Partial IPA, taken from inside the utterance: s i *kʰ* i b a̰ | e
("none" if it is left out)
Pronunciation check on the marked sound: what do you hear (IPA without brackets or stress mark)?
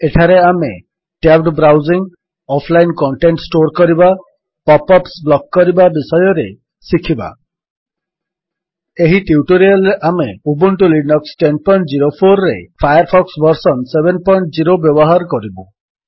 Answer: kʰ